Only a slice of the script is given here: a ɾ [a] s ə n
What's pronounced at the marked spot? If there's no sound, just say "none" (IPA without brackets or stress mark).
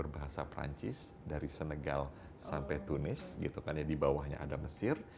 i